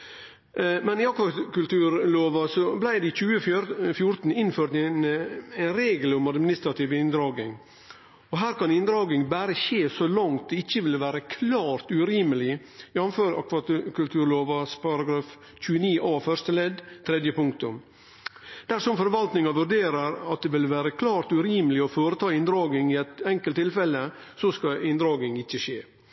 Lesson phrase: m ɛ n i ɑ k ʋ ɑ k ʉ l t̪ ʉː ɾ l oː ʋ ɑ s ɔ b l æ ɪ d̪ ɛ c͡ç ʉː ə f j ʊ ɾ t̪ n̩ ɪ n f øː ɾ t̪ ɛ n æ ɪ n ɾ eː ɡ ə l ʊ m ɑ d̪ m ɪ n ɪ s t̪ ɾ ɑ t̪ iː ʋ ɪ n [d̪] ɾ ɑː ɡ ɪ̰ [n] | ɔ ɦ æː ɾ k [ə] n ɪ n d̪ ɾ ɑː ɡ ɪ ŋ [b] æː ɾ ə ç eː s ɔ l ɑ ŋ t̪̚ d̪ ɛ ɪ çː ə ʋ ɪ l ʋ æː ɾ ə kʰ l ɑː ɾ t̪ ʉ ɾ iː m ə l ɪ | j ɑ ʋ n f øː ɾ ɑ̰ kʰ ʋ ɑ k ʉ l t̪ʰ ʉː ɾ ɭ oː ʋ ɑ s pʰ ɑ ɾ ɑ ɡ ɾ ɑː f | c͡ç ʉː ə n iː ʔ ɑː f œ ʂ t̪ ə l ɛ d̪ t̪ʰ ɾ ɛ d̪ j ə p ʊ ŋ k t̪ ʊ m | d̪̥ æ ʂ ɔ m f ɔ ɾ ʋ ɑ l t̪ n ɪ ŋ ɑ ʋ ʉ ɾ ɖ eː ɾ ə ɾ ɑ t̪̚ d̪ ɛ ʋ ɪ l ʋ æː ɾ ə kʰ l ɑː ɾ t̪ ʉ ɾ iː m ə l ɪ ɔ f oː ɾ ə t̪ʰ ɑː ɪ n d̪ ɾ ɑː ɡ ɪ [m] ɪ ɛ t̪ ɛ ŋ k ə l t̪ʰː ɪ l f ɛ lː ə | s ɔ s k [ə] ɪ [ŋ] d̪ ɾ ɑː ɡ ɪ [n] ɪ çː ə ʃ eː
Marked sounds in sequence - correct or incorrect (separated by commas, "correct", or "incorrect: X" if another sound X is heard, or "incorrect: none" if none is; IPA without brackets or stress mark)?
correct, incorrect: ŋ, incorrect: ɑ, correct, incorrect: ŋ, incorrect: ɑ, incorrect: n, incorrect: ŋ